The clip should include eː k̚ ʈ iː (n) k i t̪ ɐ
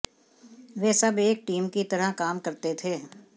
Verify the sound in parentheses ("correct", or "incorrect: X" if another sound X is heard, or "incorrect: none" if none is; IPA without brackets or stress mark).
incorrect: m